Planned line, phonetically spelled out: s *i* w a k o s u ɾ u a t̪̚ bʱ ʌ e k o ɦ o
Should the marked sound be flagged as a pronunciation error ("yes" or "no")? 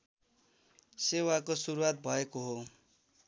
yes